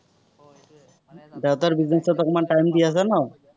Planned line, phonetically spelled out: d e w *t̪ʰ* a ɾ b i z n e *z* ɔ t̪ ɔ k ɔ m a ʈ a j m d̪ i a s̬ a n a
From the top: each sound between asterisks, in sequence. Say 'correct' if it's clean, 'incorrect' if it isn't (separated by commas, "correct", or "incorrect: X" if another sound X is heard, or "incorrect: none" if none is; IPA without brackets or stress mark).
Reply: incorrect: t̪, incorrect: s